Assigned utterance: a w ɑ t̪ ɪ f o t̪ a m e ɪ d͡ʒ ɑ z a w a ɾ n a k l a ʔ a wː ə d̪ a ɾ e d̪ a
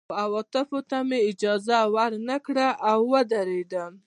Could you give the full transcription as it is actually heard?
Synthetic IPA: a w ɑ t̪ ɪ f o t̪ a m e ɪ d͡ʒ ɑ z a w a ɾ n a k ɽ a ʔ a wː ə d̪ a ɾ e d̪ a